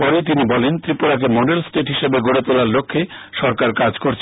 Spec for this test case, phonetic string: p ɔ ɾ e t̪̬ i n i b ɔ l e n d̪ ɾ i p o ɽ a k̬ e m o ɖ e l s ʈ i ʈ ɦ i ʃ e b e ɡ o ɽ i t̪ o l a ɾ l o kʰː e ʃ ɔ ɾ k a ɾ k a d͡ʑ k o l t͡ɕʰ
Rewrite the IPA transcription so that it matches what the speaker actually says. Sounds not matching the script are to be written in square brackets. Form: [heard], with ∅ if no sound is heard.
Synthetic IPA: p ɔ ɾ e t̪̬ i n i b ɔ l e n [t̪] ɾ i p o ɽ a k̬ e m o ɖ e l s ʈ [e] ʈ ɦ i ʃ e b e ɡ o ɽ [e] t̪ o l a ɾ l o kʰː e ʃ ɔ ɾ k a ɾ k a d͡ʑ k o [ɾ] t͡ɕʰ